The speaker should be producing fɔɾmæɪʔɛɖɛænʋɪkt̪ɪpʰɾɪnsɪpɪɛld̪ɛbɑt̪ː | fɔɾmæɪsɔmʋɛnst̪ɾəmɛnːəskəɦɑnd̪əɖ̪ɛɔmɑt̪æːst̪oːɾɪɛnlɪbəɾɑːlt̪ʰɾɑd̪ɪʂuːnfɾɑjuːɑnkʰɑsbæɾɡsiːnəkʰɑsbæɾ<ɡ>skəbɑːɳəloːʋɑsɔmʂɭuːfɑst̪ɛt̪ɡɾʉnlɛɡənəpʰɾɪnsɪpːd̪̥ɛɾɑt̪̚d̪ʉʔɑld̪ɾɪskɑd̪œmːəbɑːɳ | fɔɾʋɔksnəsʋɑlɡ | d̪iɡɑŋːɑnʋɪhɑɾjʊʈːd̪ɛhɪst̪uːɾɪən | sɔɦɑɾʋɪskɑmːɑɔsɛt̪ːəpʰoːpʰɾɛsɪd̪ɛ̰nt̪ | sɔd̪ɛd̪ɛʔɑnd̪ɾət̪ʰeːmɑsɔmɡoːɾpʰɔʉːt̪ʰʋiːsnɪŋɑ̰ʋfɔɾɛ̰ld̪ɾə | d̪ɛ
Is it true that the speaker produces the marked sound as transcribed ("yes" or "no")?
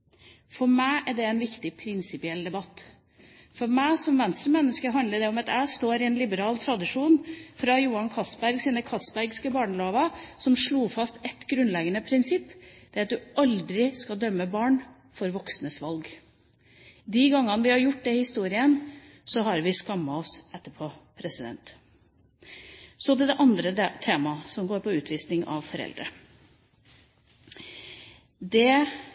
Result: yes